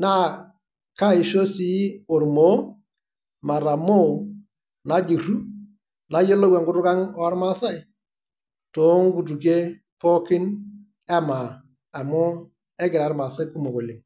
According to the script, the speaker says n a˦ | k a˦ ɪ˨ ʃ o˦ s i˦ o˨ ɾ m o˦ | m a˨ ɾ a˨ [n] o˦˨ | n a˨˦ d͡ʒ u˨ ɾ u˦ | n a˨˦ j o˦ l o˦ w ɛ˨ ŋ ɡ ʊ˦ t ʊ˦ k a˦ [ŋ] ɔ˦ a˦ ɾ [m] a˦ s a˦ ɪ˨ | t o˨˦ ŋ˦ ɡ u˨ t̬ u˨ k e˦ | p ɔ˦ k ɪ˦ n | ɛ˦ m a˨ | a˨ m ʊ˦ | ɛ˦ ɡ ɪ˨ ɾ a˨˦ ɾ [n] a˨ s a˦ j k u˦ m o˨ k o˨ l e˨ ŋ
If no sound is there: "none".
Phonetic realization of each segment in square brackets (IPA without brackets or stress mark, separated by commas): m, ŋ, m, m